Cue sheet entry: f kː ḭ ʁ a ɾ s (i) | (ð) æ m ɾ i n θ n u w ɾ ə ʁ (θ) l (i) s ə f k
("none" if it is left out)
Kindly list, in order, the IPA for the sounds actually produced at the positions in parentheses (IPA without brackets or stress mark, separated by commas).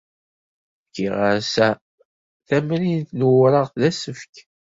æ, θ, θ, æ